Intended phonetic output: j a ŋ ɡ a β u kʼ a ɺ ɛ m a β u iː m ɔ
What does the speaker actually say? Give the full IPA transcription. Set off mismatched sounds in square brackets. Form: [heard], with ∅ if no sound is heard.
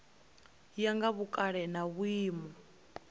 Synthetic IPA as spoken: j a ŋ ɡ a β u kʼ a ɺ ɛ [n] a β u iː m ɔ